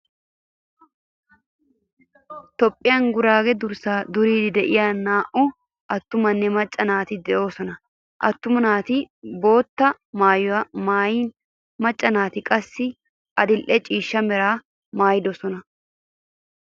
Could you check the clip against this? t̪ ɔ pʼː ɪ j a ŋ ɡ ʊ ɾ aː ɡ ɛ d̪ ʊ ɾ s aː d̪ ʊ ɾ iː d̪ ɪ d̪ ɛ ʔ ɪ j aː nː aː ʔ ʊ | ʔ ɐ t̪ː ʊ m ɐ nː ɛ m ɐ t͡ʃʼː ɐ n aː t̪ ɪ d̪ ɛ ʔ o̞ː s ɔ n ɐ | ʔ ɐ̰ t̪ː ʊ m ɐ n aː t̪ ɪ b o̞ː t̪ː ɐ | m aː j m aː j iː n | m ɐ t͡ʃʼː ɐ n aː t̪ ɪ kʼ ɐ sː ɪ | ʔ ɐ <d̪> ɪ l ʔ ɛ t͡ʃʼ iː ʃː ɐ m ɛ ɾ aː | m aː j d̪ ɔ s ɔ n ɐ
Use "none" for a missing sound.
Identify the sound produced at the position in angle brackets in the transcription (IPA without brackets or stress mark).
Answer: d̪